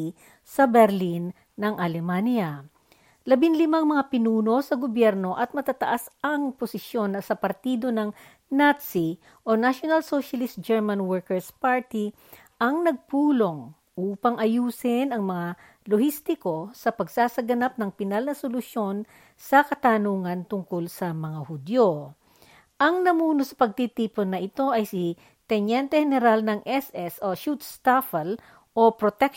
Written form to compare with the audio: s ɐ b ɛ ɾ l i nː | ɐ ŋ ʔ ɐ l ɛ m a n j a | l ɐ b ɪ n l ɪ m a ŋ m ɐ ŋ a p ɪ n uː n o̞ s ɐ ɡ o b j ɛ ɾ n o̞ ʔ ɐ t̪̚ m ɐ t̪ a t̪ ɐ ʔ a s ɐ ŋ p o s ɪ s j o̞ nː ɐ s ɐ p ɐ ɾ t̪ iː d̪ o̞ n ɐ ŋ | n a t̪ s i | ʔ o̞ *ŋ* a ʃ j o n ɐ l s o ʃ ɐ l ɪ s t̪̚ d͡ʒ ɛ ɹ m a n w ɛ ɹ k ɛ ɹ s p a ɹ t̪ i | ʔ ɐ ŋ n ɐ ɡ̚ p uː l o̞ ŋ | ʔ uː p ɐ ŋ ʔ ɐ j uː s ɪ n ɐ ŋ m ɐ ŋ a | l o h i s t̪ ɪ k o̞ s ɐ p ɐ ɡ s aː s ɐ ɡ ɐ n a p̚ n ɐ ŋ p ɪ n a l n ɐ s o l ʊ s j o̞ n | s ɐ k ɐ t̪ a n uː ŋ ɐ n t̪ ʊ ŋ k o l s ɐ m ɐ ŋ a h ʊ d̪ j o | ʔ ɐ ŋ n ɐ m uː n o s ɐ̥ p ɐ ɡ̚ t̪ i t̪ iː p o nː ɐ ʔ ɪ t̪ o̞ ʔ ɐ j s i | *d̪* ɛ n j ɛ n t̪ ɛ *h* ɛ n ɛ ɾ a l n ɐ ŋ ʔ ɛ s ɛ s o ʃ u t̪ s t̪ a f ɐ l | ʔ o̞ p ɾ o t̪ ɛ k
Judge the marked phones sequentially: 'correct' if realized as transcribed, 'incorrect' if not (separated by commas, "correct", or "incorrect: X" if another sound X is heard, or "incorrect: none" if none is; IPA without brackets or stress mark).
incorrect: n, incorrect: t̪, correct